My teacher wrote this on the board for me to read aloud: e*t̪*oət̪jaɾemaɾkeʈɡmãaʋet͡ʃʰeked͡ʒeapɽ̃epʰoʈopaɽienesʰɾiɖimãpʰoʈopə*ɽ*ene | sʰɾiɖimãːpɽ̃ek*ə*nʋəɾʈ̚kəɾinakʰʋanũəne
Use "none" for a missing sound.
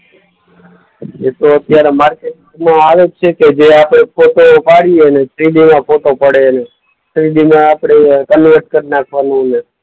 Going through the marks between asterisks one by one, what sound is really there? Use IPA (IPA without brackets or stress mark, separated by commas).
t̪, ɽ, ə